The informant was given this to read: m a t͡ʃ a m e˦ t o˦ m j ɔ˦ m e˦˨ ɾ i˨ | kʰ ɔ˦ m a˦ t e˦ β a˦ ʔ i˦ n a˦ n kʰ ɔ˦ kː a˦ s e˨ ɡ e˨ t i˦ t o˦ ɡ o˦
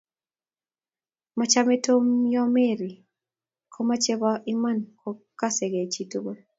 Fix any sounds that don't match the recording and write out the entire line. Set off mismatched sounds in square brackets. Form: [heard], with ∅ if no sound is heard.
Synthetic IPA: m a t͡ʃ a m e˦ t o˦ m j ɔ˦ m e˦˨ ɾ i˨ | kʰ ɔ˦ m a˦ [t͡ʃ] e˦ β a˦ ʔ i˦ [m] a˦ n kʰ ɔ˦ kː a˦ s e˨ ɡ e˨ [t͡ʃ] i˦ t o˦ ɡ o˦